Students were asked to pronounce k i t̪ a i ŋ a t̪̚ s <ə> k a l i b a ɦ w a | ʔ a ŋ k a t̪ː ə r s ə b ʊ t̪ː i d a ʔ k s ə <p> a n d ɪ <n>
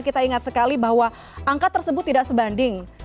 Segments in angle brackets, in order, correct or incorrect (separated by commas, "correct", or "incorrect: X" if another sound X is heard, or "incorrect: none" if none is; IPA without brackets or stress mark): correct, incorrect: b, incorrect: ŋ